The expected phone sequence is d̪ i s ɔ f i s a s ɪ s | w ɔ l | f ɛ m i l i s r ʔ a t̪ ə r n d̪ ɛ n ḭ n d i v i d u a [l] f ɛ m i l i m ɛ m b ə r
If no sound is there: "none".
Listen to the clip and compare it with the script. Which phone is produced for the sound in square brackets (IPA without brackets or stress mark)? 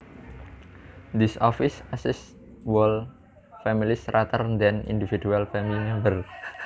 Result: l